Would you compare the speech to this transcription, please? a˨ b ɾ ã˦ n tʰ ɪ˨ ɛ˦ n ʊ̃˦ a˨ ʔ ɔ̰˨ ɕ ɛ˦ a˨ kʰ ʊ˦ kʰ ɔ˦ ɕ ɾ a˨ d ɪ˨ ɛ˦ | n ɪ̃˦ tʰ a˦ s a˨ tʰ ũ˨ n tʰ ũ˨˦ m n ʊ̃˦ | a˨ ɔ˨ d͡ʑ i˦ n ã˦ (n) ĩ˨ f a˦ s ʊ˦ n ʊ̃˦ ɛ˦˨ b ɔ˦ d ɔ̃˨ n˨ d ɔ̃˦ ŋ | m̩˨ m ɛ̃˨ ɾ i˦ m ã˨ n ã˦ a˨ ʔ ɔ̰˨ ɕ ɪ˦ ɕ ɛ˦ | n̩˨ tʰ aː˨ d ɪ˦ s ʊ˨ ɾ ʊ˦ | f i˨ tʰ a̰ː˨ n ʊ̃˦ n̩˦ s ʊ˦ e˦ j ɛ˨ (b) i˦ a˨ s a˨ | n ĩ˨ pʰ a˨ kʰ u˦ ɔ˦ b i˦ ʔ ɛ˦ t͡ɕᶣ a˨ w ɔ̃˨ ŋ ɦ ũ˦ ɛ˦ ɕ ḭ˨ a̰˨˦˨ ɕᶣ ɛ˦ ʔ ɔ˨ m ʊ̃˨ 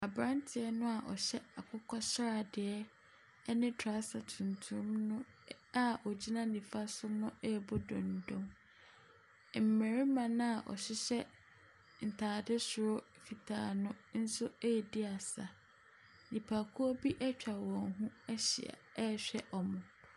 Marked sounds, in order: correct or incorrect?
correct, incorrect

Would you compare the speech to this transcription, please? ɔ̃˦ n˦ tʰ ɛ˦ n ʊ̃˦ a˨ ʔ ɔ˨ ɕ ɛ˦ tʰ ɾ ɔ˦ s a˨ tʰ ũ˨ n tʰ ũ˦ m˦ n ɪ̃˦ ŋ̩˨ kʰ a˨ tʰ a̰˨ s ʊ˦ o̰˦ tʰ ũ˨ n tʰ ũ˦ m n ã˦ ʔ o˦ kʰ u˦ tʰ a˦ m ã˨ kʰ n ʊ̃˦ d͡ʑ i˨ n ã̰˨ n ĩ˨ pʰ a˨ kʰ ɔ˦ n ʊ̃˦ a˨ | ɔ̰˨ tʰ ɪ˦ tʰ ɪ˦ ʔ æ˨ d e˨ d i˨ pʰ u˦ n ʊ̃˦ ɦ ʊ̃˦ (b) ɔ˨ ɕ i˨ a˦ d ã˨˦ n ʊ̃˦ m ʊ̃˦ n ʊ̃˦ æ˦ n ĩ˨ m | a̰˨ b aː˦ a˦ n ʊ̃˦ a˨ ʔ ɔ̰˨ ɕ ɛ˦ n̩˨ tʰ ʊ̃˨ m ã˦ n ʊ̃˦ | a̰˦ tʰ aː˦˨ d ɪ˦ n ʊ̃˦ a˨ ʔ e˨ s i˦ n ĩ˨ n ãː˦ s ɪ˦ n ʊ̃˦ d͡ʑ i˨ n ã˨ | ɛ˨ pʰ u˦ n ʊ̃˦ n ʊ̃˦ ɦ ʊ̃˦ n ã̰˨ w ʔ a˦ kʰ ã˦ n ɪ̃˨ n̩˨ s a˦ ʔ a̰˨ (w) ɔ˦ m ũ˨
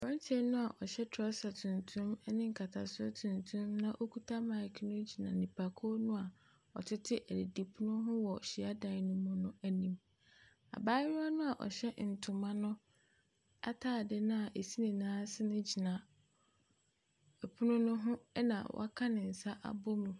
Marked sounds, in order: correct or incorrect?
incorrect, incorrect

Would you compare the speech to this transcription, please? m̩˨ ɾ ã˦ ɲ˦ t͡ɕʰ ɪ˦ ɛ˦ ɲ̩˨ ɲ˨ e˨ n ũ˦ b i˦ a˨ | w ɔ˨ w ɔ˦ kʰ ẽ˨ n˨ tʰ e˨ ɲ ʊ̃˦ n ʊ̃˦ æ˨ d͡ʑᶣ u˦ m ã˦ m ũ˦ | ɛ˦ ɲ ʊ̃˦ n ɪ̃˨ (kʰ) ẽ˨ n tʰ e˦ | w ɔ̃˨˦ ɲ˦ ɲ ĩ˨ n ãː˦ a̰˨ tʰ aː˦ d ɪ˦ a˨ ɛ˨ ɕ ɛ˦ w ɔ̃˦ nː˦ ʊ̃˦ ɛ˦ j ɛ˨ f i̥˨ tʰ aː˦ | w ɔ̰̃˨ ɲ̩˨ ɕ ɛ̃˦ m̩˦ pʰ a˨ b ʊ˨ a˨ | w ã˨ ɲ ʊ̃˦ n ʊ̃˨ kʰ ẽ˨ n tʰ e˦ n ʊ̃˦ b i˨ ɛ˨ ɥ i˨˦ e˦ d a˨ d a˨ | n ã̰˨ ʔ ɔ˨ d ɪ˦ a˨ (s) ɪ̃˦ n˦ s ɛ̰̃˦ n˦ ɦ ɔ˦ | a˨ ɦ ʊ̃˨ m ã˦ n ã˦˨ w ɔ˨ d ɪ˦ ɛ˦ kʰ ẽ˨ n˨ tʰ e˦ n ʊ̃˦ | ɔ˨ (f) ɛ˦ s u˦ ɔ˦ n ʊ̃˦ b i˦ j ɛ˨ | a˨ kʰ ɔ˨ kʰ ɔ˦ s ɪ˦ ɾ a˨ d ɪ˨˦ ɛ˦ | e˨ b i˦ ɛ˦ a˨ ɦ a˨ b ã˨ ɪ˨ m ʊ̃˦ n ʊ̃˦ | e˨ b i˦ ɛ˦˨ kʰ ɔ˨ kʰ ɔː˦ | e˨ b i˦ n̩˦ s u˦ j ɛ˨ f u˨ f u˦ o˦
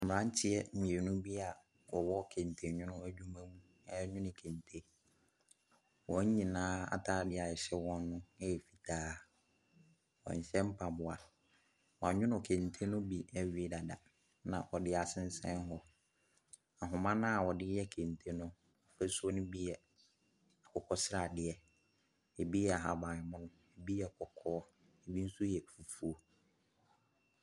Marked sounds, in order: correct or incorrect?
correct, correct, correct

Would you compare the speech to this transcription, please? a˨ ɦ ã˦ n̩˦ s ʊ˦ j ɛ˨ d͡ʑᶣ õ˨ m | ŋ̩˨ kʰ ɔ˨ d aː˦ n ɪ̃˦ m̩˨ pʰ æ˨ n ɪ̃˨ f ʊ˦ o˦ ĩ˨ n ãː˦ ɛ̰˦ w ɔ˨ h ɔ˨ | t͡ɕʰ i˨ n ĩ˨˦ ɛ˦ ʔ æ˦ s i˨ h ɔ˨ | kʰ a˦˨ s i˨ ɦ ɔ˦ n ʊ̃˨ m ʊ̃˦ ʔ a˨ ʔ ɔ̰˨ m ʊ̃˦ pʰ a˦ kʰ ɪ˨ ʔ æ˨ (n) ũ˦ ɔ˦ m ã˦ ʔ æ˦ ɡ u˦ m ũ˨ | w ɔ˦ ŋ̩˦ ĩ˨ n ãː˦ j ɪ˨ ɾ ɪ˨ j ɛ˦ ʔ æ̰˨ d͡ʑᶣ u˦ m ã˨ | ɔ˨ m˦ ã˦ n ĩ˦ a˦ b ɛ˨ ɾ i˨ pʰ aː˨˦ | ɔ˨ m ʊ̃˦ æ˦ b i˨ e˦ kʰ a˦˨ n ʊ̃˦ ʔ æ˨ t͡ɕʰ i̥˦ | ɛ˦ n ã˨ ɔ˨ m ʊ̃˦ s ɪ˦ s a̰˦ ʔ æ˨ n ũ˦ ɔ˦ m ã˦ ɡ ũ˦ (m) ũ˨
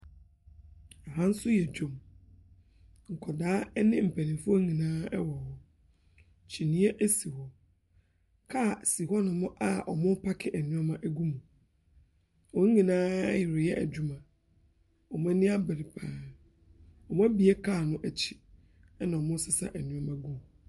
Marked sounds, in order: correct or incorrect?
correct, correct

